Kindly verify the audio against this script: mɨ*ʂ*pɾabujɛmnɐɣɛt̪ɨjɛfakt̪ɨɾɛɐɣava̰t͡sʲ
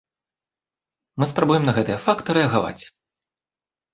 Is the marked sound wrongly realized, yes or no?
yes